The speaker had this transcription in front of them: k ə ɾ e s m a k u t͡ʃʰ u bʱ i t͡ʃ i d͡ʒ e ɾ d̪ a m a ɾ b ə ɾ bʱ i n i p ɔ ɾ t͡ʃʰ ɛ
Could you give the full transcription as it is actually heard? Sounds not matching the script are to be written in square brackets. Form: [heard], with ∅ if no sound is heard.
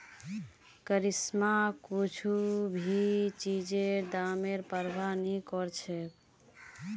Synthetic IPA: k ə ɾ [i] s m a k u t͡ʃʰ u bʱ i t͡ʃ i d͡ʒ e ɾ d̪ a m [e] ɾ [p] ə ɾ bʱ [a] n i [k] ɔ ɾ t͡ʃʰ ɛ